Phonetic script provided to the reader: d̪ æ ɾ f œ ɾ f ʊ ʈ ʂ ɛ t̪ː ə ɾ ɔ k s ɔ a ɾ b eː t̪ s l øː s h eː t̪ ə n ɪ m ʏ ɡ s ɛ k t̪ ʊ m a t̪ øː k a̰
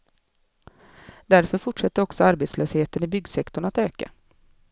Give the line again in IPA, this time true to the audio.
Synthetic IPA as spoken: d̪ æ ɾ f œ ɾ f ʊ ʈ ʂ ɛ t̪ː ə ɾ ɔ k s ɔ a ɾ b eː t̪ s l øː s h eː t̪ ə n ɪ b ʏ ɡ s ɛ k t̪ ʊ ɳ a t̪ øː k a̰